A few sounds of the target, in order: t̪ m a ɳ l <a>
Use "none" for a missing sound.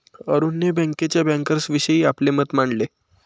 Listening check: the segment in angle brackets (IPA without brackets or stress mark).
e